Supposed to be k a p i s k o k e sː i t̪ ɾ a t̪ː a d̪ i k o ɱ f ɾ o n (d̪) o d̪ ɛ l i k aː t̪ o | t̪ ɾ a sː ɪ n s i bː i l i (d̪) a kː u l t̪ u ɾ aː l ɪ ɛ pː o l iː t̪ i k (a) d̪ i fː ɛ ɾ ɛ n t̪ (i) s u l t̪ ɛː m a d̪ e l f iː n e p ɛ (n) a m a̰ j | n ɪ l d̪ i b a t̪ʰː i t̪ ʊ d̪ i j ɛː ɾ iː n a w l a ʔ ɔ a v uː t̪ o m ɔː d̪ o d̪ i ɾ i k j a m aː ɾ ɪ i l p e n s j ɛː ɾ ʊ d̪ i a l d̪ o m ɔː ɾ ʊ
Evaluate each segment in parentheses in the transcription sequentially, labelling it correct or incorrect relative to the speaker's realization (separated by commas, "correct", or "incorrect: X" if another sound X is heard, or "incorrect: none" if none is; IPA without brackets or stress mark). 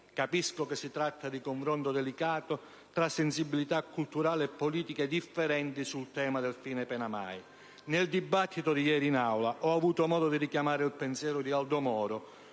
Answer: incorrect: t̪, incorrect: t̪, incorrect: e, correct, correct